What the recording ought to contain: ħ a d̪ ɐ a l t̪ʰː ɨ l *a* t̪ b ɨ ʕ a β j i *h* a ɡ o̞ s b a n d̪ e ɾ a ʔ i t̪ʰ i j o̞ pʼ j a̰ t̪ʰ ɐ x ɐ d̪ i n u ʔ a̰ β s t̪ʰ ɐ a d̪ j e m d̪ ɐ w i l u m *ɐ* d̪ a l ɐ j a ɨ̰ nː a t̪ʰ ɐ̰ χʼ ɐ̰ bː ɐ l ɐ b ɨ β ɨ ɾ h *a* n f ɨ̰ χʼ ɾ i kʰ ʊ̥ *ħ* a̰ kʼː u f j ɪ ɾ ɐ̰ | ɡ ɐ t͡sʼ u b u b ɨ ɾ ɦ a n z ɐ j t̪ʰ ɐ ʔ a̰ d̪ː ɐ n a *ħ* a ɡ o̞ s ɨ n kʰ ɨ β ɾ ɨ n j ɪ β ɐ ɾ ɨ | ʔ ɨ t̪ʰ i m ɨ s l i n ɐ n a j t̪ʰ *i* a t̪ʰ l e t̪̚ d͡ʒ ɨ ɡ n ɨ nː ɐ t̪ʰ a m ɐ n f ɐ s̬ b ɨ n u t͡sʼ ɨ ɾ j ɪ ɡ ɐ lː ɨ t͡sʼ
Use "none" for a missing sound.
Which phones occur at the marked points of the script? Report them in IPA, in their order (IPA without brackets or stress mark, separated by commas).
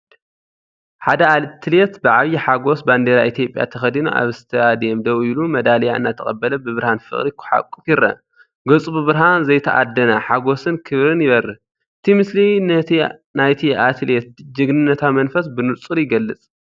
e, ħ, ɐ, a, ħ, ħ, i